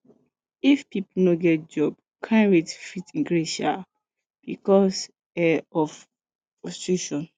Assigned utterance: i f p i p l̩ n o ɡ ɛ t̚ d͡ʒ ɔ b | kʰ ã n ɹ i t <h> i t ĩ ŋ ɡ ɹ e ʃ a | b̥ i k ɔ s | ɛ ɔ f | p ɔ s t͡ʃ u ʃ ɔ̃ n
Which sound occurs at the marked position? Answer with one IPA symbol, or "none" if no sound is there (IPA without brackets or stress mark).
f